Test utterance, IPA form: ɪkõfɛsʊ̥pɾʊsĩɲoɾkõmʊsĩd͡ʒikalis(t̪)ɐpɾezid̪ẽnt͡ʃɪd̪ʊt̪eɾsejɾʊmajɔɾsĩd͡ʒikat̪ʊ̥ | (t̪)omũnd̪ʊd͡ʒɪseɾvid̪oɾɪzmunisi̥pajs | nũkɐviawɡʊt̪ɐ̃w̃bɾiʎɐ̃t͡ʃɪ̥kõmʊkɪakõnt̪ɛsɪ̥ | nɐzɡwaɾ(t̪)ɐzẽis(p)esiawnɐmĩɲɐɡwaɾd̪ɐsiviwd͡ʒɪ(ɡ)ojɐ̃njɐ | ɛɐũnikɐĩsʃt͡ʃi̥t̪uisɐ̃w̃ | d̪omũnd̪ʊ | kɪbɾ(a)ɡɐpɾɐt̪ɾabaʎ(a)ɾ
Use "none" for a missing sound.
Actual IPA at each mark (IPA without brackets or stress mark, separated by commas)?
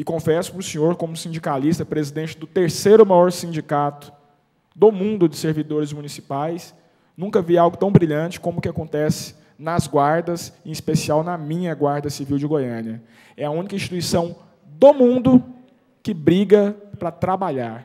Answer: t̪, d̪, d̪, p, ɡ, i, a